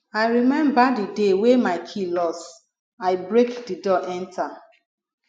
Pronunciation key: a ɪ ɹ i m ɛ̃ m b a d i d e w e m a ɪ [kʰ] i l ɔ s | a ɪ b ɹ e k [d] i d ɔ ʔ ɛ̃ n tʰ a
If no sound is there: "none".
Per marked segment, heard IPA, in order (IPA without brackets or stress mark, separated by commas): kʰ, d